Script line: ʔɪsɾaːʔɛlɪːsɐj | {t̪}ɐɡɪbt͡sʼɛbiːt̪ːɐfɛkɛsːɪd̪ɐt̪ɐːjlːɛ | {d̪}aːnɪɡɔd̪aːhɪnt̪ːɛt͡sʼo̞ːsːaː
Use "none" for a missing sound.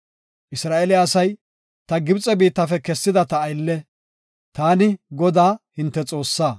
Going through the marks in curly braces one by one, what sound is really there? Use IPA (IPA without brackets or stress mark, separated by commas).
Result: t̪, t̪